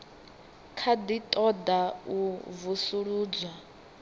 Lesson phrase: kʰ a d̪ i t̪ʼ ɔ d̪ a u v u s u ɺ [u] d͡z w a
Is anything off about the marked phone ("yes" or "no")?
yes